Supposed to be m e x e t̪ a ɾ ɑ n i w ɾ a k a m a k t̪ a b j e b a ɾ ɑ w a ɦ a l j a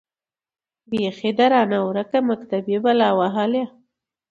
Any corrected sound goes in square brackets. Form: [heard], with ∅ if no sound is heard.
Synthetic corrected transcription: [b] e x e [d̪] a ɾ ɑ n [a] w ɾ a k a m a k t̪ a b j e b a [l] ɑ w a ɦ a l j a